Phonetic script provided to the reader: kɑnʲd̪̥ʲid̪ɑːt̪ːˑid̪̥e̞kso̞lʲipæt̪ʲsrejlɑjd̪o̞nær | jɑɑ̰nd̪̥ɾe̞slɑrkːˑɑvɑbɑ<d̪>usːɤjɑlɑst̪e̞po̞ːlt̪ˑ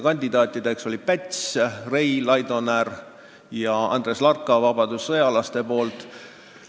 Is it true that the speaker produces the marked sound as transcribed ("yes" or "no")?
yes